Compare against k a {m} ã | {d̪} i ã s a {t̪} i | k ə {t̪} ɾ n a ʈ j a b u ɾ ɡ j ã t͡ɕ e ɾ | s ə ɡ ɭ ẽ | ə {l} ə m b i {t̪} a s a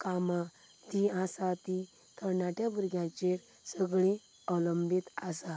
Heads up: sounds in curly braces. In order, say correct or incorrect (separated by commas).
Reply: correct, incorrect, correct, incorrect, correct, correct